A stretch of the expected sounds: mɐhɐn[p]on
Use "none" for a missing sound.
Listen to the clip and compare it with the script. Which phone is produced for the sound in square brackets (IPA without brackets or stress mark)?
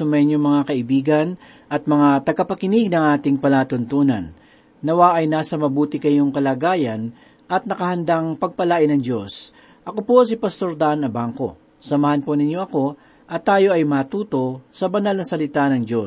p